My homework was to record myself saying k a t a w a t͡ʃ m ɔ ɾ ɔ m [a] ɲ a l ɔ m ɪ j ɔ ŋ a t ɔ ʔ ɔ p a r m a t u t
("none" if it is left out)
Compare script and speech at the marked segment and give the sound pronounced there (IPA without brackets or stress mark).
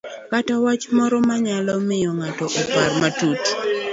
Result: a